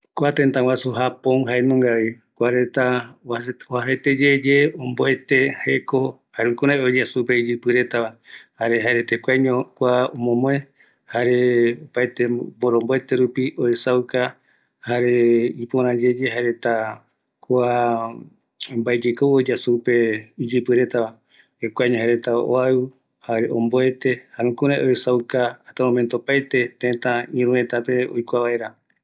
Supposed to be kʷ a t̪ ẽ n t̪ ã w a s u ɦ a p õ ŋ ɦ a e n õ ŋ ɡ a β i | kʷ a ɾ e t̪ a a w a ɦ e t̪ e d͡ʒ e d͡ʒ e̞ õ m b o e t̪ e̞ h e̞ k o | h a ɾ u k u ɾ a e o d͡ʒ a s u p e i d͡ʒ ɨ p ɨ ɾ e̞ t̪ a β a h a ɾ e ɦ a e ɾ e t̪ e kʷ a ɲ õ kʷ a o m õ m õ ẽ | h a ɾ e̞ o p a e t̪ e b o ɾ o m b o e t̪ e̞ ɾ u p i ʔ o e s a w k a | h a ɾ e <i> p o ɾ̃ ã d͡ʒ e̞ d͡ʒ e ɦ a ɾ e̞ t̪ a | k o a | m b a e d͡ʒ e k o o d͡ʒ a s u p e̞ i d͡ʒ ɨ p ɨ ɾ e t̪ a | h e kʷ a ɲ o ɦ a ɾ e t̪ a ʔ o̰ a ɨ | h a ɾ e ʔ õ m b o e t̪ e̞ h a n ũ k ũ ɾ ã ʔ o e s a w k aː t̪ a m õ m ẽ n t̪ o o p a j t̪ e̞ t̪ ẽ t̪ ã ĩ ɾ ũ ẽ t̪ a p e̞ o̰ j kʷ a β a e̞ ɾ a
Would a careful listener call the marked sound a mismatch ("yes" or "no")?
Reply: no